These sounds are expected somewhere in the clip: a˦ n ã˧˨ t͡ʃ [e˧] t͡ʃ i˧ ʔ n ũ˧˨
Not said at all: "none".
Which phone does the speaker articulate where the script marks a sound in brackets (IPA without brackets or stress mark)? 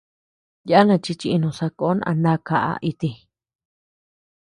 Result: i˧